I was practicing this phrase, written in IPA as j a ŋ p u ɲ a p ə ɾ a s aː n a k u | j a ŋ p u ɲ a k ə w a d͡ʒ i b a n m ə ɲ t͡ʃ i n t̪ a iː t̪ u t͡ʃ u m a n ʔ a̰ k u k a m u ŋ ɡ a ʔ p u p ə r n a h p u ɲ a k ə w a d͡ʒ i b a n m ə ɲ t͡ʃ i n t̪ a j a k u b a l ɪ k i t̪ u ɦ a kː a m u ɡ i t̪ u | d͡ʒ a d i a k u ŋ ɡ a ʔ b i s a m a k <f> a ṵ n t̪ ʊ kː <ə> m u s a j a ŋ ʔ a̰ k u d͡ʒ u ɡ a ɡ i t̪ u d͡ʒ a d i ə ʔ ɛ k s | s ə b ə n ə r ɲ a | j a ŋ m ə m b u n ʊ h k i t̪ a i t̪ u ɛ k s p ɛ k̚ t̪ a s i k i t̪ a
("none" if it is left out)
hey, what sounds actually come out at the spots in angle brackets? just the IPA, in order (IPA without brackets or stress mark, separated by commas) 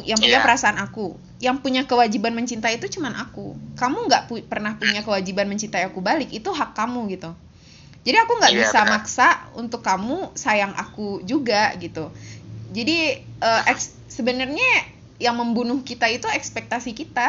s, a